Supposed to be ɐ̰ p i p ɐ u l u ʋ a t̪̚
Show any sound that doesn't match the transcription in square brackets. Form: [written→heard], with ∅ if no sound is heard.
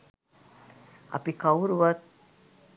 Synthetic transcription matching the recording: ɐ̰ p i [p→k] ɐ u [l→ɾ] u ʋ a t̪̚